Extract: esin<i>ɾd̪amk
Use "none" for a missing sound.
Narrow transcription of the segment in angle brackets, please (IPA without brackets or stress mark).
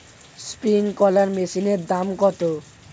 e